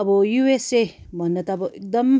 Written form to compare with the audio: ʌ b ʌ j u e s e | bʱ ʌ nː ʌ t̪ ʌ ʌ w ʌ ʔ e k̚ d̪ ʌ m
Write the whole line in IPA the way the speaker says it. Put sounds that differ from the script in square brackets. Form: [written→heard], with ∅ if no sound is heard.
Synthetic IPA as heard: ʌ b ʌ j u e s e | bʱ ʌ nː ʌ t̪ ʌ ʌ [w→b] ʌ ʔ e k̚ d̪ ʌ m